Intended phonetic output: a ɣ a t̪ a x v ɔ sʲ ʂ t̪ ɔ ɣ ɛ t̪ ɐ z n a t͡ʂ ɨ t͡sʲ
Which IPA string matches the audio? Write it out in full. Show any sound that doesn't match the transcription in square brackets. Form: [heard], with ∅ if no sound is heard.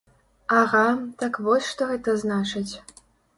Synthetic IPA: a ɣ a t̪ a [k] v ɔ sʲ ʂ t̪ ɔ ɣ ɛ t̪ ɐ z n a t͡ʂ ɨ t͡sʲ